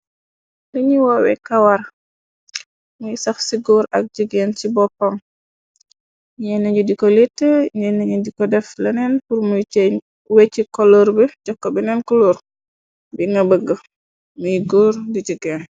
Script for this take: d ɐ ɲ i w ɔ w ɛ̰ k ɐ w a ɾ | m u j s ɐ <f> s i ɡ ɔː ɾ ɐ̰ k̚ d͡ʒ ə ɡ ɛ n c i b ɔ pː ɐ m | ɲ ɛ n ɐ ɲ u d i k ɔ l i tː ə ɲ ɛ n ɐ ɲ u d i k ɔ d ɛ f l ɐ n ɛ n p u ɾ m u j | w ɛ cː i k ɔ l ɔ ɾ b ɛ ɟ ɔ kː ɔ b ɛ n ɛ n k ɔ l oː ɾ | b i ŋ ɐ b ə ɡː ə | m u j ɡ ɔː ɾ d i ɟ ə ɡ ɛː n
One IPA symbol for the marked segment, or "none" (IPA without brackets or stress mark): x